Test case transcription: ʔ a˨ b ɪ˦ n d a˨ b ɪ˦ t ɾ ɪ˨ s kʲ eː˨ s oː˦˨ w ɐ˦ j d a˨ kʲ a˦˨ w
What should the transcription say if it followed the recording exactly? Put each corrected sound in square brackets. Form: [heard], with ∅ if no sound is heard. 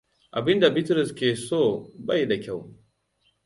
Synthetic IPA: ʔ a˨ b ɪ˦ n d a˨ b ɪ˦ t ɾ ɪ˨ s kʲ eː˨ s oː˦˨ [b] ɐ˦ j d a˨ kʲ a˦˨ w